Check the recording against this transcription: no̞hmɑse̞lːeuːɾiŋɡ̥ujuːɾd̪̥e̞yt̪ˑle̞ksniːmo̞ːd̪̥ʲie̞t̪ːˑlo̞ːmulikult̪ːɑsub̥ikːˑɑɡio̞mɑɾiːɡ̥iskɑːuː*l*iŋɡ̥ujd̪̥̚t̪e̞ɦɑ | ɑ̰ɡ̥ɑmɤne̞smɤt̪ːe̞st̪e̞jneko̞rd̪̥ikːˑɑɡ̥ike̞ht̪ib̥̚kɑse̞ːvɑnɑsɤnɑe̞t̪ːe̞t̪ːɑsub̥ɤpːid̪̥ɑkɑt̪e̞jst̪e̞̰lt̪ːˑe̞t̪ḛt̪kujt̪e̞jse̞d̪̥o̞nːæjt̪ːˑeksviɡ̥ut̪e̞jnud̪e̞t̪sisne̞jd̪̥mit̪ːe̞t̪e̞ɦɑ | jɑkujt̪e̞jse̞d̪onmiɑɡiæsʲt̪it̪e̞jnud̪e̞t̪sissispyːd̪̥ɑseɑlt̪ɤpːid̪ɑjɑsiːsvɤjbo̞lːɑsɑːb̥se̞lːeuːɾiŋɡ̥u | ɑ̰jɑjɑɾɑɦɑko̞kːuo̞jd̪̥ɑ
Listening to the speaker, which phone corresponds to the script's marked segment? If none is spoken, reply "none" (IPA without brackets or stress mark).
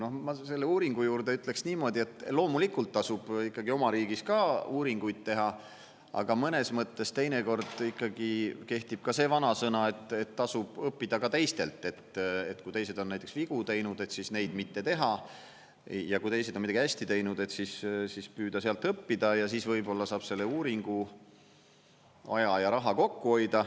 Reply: ɾ